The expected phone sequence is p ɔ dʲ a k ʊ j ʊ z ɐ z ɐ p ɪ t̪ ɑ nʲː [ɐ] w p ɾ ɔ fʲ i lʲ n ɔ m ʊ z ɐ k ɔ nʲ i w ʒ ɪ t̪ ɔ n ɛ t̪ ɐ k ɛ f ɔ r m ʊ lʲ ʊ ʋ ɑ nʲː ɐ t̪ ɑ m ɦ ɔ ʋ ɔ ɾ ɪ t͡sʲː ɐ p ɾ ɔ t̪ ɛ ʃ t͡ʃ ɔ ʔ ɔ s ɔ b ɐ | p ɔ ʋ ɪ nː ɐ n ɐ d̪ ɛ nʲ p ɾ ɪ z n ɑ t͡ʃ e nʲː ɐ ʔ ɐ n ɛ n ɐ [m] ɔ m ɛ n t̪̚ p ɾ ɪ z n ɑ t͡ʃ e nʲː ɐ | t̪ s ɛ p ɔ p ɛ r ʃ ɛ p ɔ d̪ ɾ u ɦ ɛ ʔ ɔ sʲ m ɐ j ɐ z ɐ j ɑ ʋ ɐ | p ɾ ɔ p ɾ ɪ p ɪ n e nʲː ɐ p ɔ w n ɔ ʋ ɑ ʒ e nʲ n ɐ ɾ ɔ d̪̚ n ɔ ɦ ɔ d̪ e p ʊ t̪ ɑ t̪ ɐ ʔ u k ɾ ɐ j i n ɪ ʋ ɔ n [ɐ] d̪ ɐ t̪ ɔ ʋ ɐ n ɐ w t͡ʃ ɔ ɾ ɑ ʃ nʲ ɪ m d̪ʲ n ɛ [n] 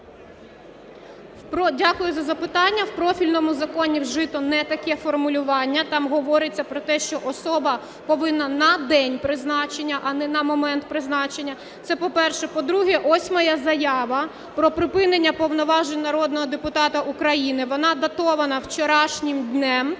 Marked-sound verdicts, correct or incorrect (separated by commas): correct, correct, incorrect, incorrect